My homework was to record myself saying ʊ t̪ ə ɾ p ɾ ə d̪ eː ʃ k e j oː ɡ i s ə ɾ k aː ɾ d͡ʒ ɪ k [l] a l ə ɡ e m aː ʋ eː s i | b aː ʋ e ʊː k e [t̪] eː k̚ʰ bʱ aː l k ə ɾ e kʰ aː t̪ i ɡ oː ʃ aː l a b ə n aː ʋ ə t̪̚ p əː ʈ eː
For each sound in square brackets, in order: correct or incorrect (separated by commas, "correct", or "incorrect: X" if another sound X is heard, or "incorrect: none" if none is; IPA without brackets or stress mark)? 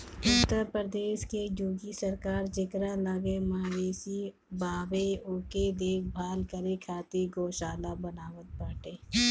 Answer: incorrect: ɾ, incorrect: d̪